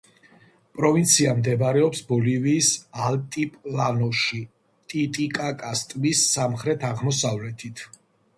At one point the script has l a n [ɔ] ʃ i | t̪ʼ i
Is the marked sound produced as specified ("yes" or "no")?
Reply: yes